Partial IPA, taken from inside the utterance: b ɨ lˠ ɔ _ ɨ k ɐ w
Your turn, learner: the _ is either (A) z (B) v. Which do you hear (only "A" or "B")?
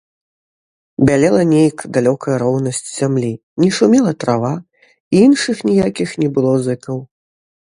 A